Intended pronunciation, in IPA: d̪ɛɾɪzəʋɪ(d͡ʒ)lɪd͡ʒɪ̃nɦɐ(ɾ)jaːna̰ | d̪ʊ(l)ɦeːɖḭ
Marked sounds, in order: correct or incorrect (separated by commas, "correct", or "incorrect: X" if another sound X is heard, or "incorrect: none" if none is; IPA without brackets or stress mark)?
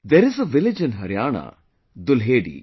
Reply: incorrect: none, correct, correct